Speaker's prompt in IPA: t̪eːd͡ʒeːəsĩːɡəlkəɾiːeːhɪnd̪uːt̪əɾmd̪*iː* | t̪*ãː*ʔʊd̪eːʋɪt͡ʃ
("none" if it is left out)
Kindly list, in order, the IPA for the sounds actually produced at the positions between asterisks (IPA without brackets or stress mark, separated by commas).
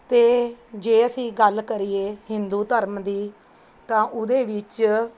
iː, ãː